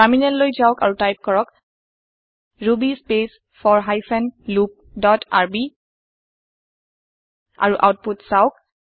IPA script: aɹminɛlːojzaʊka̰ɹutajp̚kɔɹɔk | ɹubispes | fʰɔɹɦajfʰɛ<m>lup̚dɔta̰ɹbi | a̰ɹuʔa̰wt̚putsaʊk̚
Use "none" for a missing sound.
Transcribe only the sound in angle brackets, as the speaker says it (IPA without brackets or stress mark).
n